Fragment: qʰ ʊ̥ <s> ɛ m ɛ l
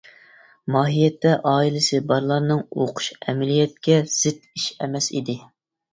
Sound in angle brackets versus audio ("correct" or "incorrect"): incorrect